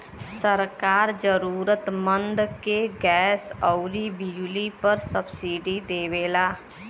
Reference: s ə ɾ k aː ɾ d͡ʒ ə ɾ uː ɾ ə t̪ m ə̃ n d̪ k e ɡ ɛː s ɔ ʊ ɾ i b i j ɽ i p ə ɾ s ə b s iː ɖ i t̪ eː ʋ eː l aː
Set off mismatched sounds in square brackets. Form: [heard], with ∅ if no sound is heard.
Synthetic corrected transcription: s ə ɾ k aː ɾ d͡ʒ ə ɾ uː ɾ ə t̪ m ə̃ n d̪ k e ɡ ɛː s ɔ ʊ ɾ i b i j [l] i p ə ɾ s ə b s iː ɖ i [d̪] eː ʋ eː l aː